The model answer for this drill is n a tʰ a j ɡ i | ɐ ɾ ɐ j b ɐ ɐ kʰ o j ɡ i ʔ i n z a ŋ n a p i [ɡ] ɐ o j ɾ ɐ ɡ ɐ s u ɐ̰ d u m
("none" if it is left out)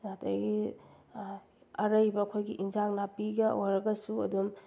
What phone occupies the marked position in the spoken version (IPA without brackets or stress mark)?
ɡ